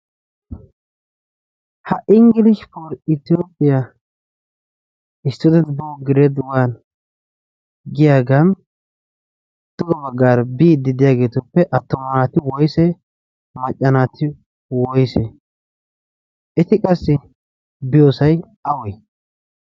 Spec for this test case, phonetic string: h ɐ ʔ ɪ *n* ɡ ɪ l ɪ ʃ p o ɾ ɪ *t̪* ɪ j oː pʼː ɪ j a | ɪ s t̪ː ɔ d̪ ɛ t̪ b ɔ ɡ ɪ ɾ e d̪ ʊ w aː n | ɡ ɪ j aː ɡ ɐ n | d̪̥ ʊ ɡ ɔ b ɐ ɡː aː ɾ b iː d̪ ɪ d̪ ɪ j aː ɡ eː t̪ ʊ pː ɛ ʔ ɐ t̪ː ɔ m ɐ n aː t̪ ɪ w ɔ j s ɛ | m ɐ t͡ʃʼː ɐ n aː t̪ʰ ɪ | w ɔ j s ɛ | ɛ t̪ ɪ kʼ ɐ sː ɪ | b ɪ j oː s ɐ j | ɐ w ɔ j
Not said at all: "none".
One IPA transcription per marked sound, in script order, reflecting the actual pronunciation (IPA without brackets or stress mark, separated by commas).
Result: ŋ, t̪